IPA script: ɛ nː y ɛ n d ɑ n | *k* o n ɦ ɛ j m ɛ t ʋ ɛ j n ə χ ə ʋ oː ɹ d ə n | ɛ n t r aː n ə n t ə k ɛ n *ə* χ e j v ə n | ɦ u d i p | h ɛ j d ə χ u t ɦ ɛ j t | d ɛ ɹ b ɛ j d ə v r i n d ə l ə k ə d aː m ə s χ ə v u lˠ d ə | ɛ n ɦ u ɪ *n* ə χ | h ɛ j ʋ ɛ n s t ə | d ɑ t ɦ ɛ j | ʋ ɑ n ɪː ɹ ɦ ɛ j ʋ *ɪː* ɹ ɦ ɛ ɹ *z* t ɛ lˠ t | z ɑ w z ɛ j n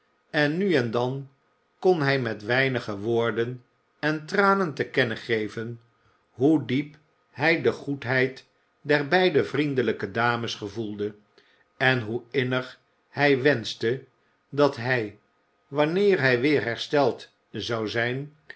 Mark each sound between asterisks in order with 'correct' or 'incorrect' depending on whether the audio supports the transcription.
correct, correct, correct, correct, incorrect: s

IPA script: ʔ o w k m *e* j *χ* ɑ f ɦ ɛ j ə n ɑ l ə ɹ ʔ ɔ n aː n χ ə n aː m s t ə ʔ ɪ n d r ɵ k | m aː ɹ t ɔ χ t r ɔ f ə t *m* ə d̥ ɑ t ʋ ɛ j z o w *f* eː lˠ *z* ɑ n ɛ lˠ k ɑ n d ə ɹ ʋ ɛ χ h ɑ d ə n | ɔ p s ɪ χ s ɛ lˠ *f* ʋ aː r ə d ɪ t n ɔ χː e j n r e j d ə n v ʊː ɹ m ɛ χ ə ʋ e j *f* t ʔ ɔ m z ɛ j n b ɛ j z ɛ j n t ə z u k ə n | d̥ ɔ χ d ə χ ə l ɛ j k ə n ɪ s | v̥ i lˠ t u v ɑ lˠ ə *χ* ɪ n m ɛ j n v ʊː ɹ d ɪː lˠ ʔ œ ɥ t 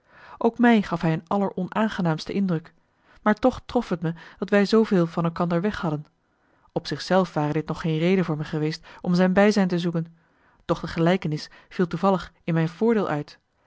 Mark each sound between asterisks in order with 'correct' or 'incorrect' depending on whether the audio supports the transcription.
incorrect: ɛ, correct, correct, incorrect: v, incorrect: v, correct, incorrect: s, correct

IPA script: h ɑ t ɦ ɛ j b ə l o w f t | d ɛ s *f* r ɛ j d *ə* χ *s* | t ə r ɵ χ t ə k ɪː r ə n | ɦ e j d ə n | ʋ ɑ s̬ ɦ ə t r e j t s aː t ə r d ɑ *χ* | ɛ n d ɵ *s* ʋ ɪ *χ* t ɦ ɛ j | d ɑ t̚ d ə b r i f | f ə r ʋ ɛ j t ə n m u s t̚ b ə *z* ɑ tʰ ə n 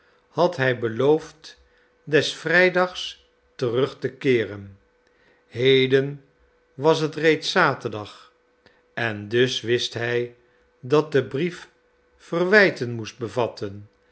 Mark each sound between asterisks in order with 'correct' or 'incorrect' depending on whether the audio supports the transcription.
correct, incorrect: ɑ, correct, correct, correct, incorrect: s, incorrect: v

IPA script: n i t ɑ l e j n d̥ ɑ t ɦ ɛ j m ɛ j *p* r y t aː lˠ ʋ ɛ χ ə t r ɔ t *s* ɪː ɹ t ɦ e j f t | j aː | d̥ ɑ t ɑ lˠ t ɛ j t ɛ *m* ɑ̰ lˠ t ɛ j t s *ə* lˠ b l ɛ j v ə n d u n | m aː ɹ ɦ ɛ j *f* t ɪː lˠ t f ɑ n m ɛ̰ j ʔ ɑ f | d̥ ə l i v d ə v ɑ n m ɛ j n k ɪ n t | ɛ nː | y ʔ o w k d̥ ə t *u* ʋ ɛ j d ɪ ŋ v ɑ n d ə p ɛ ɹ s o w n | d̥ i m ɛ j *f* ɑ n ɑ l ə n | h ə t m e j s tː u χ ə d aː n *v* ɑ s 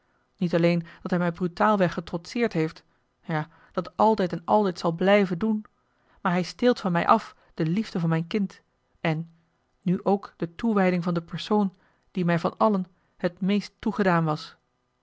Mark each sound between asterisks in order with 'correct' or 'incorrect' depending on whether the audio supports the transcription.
incorrect: b, correct, incorrect: n, incorrect: ɑ, incorrect: s, correct, incorrect: v, incorrect: ʋ

